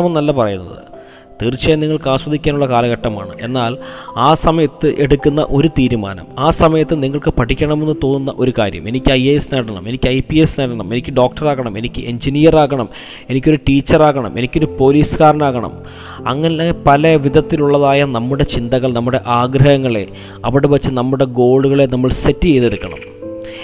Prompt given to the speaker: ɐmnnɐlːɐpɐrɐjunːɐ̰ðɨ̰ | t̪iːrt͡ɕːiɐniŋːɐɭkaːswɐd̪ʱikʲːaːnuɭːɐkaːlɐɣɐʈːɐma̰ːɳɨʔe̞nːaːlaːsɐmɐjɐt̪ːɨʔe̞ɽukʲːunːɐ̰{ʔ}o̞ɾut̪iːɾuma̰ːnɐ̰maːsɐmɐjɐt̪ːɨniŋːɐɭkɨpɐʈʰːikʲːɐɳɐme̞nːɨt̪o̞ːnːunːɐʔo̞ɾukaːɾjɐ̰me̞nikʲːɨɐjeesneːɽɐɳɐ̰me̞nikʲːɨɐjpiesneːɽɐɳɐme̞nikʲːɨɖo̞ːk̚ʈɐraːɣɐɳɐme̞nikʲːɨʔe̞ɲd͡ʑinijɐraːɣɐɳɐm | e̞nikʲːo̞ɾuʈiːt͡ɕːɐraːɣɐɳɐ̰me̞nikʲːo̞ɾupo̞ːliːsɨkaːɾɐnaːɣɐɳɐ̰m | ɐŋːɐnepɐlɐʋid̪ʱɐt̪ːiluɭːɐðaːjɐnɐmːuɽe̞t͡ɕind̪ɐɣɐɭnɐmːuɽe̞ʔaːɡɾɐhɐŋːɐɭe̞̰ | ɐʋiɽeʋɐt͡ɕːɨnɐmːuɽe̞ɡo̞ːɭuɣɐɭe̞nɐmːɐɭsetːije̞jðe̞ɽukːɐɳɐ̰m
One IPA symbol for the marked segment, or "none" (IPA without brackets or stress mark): ʔ